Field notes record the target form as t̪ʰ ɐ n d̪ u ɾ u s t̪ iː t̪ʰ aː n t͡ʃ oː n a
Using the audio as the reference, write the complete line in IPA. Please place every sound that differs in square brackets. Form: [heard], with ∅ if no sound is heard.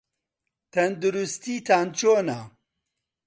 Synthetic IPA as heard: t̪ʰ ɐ n d̪ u ɾ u s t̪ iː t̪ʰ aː n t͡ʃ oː n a